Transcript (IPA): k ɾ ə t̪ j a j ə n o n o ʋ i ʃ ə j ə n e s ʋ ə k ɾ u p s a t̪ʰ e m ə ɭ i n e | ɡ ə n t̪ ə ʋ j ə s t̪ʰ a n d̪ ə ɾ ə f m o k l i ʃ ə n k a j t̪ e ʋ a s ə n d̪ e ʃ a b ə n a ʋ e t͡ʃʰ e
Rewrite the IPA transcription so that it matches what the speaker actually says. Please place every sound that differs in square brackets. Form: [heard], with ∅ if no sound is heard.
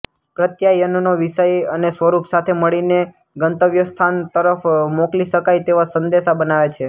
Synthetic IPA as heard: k ɾ ə t̪ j a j ə n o n o ʋ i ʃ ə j ə n e s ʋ ə [∅] ɾ u p s a t̪ʰ e m ə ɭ i n e | ɡ ə n t̪ ə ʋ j ə s t̪ʰ a n [t̪] ə ɾ ə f m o k l i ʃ ə [∅] k a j t̪ e ʋ a s ə n d̪ e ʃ a b ə n a ʋ e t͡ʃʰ e